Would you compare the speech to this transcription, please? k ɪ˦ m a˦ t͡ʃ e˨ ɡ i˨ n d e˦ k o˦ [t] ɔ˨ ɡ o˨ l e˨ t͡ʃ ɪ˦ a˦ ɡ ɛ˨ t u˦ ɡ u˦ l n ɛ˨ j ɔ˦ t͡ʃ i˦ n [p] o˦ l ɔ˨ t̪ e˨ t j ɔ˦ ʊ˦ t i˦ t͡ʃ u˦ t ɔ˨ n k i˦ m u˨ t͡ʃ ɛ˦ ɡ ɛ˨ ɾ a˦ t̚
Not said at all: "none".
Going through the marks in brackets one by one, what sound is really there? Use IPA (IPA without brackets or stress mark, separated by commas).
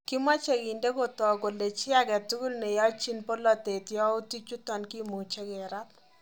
t, p